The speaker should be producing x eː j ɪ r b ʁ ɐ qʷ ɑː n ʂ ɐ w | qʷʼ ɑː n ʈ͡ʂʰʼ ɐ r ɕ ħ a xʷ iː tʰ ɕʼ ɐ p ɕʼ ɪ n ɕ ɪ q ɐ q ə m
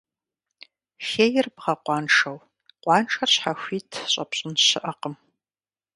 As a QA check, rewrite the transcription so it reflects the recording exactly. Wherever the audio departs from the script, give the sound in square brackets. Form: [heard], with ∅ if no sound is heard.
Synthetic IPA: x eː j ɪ r b ʁ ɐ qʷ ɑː n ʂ ɐ w | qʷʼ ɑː n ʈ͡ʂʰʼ ɐ r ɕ ħ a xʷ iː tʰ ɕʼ ɐ p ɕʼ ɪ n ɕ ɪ [ʔ] ɐ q ə m